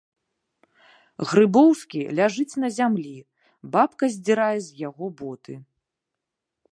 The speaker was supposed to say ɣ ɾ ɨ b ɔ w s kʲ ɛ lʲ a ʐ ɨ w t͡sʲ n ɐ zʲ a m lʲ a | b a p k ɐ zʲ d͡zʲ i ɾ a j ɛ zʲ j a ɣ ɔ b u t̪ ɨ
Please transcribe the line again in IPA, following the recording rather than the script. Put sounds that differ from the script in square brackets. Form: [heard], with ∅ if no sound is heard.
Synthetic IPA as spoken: ɣ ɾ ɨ b ɔ w s kʲ [i] lʲ a ʐ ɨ [∅] t͡sʲ n ɐ zʲ a m lʲ [i] | b a p k ɐ zʲ d͡zʲ i ɾ a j ɛ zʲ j a ɣ ɔ b [ɔ] t̪ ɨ